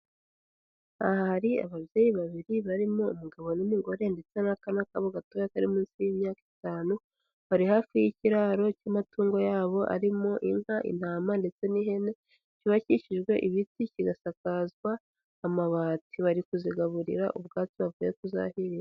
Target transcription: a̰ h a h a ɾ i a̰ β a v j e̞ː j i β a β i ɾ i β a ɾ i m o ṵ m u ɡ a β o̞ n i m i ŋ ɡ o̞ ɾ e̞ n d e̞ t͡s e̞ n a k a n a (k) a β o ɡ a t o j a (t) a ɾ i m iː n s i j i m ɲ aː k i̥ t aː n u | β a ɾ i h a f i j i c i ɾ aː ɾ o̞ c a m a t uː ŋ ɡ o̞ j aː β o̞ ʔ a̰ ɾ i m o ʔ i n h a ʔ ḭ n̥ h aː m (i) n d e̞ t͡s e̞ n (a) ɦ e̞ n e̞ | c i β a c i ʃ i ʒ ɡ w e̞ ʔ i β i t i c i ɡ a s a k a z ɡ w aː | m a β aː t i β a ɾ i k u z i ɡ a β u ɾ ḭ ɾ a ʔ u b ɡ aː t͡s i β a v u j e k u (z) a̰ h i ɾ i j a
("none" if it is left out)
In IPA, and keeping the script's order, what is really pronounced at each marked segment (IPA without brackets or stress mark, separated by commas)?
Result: k, k, a, i, z